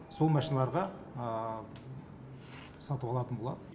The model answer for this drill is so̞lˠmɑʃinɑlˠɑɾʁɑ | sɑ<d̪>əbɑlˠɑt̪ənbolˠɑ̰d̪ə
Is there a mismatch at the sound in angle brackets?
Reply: yes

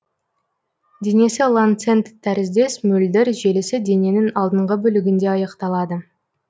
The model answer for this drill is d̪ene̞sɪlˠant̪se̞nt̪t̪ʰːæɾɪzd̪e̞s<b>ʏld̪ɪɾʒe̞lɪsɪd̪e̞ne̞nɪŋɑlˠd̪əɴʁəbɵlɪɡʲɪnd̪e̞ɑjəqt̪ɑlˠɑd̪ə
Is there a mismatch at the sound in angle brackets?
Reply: yes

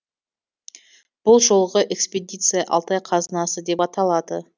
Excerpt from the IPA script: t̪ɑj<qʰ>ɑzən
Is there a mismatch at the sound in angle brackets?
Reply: no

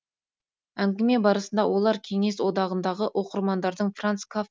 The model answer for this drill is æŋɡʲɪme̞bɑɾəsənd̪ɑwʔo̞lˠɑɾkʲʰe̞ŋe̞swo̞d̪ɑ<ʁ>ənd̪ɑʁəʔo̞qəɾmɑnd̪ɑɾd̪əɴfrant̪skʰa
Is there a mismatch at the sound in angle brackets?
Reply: no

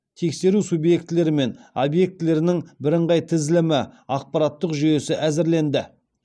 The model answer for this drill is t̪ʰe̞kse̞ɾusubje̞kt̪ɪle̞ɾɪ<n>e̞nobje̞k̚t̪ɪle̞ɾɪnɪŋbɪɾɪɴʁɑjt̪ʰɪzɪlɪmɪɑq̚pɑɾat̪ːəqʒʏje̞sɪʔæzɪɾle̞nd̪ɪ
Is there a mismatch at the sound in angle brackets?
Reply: yes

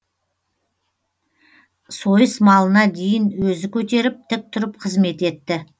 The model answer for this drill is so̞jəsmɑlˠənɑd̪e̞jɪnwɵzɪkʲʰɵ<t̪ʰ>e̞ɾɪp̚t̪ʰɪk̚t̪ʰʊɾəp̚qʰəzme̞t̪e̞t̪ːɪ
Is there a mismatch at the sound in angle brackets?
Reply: yes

